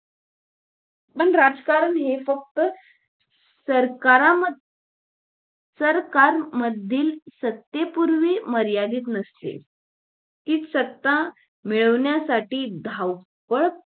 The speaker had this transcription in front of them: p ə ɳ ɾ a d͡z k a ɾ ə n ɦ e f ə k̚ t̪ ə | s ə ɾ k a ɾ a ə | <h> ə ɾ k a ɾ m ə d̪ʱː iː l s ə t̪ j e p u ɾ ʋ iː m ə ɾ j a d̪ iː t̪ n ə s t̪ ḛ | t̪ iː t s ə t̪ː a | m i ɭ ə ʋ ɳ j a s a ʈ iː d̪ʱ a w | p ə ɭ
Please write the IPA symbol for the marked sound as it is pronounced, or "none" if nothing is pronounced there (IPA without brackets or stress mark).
s